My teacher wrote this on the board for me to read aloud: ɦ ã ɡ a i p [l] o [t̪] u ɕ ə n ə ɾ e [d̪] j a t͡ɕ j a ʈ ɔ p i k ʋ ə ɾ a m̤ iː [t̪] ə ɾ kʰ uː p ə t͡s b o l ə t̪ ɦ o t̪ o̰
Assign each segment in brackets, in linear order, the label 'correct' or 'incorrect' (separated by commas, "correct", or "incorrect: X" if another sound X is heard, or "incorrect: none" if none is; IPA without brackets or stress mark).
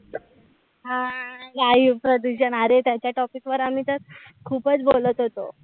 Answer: incorrect: ɾ, incorrect: d̪, incorrect: t̪, correct